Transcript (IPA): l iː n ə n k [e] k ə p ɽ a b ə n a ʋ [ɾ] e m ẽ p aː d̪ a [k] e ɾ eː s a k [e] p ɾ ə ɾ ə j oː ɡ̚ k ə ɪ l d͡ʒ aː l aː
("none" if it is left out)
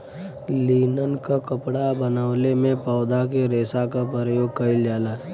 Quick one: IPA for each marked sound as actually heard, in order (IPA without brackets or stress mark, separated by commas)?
a, l, k, a